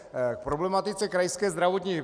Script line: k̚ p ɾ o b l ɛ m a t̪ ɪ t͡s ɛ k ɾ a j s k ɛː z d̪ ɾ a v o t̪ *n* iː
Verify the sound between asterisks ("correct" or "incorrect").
incorrect